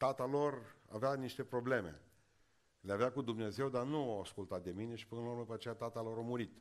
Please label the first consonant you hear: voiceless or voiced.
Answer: voiceless